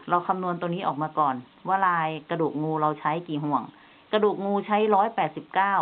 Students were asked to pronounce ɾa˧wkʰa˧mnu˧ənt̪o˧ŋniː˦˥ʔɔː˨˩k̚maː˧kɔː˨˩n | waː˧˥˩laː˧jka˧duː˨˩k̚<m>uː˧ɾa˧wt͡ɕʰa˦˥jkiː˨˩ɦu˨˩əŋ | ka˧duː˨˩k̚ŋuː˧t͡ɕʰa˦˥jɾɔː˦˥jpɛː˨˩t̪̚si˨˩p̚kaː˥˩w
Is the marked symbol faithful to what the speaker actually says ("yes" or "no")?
no